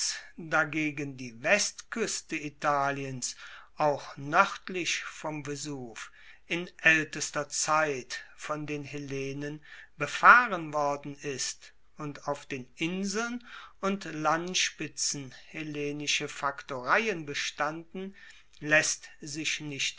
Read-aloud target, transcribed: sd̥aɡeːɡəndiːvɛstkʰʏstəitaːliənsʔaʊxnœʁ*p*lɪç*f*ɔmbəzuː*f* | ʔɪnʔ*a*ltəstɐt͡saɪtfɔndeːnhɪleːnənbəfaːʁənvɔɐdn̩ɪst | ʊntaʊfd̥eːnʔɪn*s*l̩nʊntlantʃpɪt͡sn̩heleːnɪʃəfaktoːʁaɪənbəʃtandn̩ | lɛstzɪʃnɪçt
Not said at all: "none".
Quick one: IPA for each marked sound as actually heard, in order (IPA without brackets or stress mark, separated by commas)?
t, f, f, ɛ, z